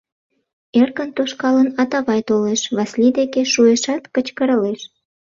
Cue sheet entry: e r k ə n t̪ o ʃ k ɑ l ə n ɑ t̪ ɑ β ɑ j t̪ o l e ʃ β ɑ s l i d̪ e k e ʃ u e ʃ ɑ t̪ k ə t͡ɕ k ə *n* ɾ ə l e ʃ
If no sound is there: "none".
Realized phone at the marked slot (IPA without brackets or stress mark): none